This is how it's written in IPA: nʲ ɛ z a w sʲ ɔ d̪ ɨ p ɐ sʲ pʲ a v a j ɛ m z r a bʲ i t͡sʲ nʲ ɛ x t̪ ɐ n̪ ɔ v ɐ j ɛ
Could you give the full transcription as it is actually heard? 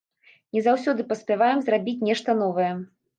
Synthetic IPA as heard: nʲ ɛ z a w sʲ ɔ d̪ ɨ p ɐ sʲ pʲ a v a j ɛ m z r a bʲ i t͡sʲ nʲ ɛ ʂ t̪ ɐ n̪ ɔ v ɐ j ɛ